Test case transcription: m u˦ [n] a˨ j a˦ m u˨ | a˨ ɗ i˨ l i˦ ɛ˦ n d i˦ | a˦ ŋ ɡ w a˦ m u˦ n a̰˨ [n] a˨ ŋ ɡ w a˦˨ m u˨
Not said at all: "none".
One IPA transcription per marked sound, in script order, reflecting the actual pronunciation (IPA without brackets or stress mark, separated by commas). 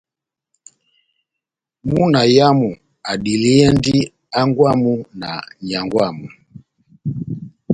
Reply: n, ɲ